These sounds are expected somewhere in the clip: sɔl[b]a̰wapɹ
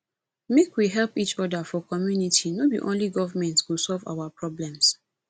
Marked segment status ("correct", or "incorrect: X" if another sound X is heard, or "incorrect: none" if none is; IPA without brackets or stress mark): incorrect: v